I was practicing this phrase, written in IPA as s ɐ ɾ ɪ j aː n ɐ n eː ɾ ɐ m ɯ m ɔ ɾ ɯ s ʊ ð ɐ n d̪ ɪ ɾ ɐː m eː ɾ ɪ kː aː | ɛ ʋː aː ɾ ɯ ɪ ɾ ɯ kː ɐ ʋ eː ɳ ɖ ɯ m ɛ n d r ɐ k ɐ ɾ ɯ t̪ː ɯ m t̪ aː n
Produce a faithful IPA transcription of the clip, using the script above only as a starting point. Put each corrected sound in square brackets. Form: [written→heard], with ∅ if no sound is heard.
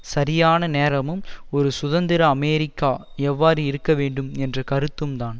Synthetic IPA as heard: s ɐ ɾ ɪ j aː n ɐ n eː ɾ ɐ m ɯ m ɔ ɾ ɯ s ʊ ð ɐ n d̪ ɪ ɾ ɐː m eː ɾ ɪ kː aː | ɛ ʋː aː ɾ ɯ ɪ ɾ ɯ kː ɐ ʋ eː ɳ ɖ ɯ m ɛ n d r ɐ k ɐ ɾ ɯ t̪ː ɯ m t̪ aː n